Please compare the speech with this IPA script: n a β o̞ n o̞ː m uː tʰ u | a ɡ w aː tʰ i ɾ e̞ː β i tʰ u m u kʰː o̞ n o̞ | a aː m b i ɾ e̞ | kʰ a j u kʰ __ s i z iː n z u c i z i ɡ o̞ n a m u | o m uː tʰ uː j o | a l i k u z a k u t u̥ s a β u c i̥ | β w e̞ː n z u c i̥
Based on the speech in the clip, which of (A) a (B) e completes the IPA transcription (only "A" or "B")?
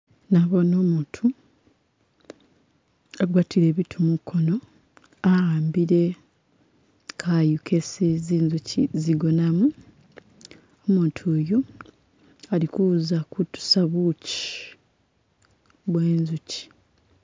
B